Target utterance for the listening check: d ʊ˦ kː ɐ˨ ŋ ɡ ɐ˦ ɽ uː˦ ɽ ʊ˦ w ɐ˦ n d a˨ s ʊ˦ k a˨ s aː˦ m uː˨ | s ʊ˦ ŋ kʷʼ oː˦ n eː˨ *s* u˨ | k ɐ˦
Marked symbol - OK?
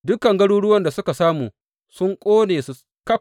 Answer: yes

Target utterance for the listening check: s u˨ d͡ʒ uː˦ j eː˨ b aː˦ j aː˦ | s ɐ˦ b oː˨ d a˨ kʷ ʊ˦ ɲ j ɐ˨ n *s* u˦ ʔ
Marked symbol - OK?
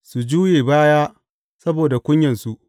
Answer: yes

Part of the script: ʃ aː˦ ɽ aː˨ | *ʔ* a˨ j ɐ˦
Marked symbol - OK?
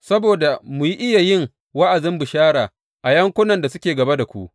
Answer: yes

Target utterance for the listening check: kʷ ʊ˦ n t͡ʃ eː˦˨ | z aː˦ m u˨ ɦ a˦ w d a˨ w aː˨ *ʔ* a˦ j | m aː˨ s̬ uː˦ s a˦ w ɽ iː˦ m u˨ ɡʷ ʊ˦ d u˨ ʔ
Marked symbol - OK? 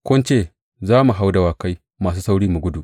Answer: no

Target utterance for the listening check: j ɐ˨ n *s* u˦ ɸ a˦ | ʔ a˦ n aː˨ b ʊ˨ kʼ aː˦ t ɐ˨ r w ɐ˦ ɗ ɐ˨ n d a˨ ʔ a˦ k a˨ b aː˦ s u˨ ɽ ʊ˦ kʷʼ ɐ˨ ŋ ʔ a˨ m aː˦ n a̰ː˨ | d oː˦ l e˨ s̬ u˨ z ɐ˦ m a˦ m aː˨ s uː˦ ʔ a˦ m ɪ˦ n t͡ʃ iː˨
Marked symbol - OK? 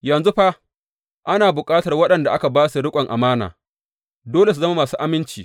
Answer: no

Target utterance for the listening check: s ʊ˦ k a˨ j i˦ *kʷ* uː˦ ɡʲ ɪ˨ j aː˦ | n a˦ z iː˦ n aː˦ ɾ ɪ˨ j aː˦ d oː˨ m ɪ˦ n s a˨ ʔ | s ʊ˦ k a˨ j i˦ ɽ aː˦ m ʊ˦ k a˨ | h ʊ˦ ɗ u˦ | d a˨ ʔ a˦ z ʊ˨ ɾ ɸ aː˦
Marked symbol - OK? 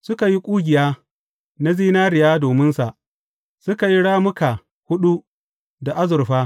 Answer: no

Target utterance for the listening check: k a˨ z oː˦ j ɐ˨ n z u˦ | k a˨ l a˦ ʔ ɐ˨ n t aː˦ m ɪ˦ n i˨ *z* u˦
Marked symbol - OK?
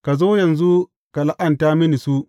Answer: no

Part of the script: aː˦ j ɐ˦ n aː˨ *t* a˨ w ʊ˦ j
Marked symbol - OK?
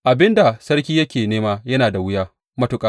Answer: no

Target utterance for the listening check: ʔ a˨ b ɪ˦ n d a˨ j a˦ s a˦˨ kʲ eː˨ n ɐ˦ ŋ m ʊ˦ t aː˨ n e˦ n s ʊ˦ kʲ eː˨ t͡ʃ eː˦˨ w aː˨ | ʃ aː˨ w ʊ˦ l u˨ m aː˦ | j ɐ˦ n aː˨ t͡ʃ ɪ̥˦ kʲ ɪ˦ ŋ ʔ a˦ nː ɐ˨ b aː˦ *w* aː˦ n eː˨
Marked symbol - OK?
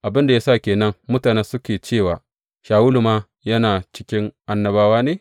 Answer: yes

